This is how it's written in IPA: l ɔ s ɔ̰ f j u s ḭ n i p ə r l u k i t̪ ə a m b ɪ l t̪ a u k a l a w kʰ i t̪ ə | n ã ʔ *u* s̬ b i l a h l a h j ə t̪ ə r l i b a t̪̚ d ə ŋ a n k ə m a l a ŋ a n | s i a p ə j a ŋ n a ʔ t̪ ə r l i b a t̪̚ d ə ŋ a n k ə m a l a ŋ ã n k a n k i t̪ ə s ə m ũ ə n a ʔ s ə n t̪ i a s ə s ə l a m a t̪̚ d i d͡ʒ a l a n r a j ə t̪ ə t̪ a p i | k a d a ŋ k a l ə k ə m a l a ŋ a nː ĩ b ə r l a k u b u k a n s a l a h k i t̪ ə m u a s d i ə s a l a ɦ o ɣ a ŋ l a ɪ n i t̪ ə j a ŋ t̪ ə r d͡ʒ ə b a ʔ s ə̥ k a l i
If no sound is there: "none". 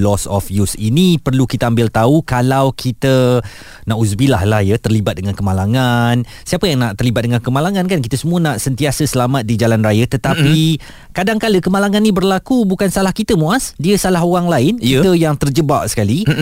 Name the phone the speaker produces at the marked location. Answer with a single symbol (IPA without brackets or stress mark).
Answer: u